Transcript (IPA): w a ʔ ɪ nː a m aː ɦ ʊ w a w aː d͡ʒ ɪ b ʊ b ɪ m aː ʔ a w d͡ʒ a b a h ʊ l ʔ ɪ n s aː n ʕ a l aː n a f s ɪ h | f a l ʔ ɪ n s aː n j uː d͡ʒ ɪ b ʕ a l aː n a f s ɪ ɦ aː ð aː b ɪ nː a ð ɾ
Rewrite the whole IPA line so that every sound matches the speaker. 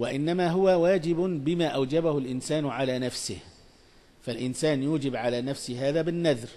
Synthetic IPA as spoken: w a ʔ ɪ nː a m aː ɦ ʊ w a w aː d͡ʒ ɪ b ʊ b ɪ m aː ʔ a w d͡ʒ a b a h ʊ l ʔ ɪ n s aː n ʕ a l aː n a f s ɪ h | f a l ʔ ɪ n s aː n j uː d͡ʒ ɪ b ʕ a l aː n a f s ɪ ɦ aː ð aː b ɪ nː a ð ɾ